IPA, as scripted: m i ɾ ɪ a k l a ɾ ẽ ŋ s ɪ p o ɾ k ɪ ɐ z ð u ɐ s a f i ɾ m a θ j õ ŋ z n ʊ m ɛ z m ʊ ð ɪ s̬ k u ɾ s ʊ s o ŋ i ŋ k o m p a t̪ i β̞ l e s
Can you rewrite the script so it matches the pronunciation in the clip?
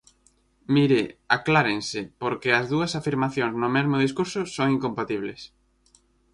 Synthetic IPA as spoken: m i ɾ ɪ a k l a ɾ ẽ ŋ s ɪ p o ɾ k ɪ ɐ z ð u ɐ s a f i ɾ m a θ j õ ŋ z n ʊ m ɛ z m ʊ ð i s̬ k u ɾ s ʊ s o ŋ i ŋ k o m p a t̪ i β̞ l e s